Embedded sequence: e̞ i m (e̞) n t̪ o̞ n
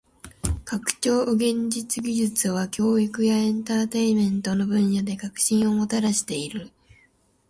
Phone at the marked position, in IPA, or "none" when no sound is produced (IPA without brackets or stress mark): ẽ̞